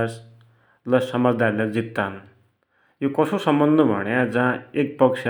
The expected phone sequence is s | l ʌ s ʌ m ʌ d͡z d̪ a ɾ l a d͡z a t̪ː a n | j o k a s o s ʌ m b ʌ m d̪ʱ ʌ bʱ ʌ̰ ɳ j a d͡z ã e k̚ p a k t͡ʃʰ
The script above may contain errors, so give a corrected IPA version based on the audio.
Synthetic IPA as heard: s | l ʌ s ʌ m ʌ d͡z d̪ a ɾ l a d͡z i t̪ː a n | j o k ʌ s o s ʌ m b ʌ n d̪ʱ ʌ bʱ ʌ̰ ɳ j a d͡z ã e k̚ p ʌ k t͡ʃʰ